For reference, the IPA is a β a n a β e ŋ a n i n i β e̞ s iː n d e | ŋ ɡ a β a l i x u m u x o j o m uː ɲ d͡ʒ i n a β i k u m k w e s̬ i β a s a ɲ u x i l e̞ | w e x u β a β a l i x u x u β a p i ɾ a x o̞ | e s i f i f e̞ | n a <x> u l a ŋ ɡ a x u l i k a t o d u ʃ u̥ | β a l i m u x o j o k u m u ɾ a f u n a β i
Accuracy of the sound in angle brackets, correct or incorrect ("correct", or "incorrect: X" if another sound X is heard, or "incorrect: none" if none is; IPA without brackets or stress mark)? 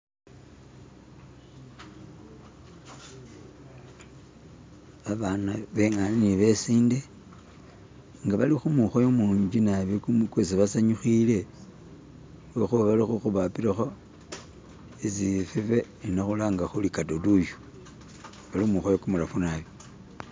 correct